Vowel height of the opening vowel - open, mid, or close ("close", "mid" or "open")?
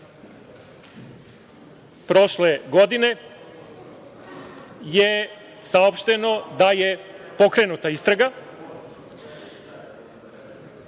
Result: mid